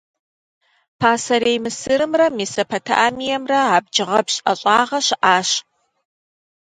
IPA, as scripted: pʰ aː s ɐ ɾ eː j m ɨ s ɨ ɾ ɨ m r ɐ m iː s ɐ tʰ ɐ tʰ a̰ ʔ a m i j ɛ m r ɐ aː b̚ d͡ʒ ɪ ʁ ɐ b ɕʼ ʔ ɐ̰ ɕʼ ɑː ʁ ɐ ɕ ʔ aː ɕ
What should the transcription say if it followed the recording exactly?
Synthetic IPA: pʰ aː s ɐ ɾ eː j m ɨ s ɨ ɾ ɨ m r ɐ m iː s ɐ pʰ ɐ tʰ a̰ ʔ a m i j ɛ m r ɐ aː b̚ d͡ʒ ɪ ʁ ɐ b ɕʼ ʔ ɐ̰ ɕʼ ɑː ʁ ɐ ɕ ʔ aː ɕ

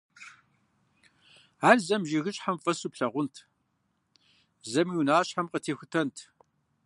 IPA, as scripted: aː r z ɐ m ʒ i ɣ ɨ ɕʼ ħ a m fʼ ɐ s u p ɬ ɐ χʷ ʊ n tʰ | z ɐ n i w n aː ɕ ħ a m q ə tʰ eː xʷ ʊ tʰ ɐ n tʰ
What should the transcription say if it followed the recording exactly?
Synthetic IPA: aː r z ɐ m ʒ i ɣ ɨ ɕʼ ħ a m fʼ ɐ s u p ɬ ɐ ʁʷ ʊ n tʰ | z ɐ m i w n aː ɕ ħ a m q ə tʰ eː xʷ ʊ tʰ ɐ n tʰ

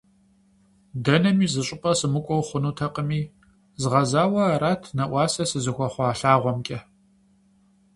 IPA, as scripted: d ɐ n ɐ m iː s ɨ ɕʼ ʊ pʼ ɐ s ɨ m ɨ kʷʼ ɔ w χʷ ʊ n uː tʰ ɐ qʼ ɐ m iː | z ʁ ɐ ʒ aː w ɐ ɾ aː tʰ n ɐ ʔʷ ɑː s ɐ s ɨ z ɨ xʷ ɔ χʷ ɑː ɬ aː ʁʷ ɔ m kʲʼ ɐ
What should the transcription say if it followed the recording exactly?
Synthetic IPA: d ɐ n ɐ m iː z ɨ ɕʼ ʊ pʼ ɐ s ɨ m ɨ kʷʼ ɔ w χʷ ʊ n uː tʰ ɐ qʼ ə m iː | z ʁ ɐ z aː w ɐ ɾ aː tʰ n ɐ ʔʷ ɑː s ɐ s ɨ z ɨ xʷ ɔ χʷ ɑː ɬ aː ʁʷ ɔ m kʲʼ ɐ

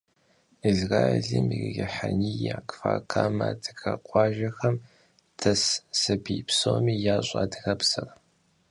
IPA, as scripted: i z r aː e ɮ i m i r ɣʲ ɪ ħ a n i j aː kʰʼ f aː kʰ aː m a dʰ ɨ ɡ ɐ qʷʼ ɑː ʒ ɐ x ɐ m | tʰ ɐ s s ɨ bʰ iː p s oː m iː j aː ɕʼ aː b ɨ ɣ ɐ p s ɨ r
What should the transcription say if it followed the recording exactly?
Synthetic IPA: i z r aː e ɮ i m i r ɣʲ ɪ ħ a n i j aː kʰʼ f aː kʰ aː m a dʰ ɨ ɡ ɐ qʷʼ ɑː ʒ ɐ x ɐ m | tʰ ɐ s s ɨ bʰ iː p s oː m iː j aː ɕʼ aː d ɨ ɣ ɐ p s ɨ r

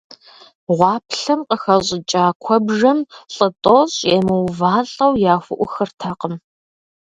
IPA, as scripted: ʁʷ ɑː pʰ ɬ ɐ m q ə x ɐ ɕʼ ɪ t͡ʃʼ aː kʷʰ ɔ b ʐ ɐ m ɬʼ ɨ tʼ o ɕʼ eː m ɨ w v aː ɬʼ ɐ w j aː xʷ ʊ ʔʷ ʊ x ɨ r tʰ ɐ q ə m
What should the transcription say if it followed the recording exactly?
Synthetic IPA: ʁʷ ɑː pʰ ɬ ɐ m q ə x ɐ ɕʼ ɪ t͡ʃʼ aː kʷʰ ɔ b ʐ ɐ m ɬʼ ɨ tʼ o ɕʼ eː m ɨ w v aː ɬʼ ɐ w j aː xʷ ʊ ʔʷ ʊ x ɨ r tʰ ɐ q ə m

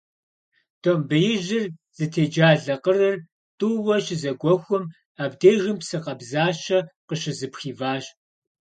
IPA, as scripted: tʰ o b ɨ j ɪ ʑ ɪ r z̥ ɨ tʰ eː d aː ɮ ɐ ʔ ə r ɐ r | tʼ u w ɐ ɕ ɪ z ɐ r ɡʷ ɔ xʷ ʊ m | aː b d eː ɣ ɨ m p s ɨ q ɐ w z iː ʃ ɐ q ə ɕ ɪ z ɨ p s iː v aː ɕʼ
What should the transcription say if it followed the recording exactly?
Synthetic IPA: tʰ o b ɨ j ɪ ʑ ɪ r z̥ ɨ tʰ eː d͡ʒ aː ɮ ɐ q ə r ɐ r | tʼ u w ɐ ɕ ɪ z ɐ ɡʷ ɔ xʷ ʊ m | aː b d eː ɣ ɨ m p s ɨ q ɐ b z aː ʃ ɐ q ə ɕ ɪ z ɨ p x iː v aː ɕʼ

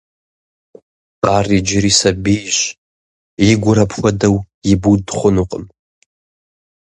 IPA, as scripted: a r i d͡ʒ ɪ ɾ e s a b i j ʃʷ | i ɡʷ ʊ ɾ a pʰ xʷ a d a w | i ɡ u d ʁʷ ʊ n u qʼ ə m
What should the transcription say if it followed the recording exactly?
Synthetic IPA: a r i d͡ʒ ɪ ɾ i s a b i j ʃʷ | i ɡʷ ʊ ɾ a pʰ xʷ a d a w | i b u d χʷ ʊ n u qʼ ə m

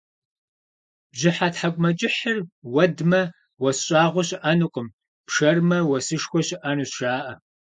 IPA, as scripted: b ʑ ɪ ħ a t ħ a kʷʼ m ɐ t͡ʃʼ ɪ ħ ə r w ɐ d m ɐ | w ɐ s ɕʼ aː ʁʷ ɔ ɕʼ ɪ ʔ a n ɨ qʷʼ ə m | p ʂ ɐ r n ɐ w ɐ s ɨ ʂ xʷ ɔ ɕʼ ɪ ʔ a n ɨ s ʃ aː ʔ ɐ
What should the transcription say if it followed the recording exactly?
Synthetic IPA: b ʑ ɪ ħ a t ħ a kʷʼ m ɐ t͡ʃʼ ɪ ħ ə r w ɐ d m ɐ | w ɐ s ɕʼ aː ʁʷ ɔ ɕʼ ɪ ʔ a n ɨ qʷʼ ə m | p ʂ ɐ r m ɐ w ɐ s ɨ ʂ xʷ ɔ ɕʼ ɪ ʔ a n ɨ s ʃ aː ʔ ɐ

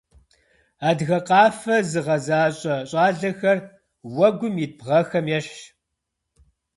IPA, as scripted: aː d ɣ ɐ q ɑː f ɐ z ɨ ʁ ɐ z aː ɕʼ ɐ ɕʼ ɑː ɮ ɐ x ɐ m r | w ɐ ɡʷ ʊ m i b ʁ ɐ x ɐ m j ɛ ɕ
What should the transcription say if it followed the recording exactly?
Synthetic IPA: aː d ɣ ɐ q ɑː f ɐ z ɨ ʁ ɐ z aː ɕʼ ɐ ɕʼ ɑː ɮ ɐ x ɐ r | w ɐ ɡʷ ʊ m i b ʁ ɐ x ɐ m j ɛ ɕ

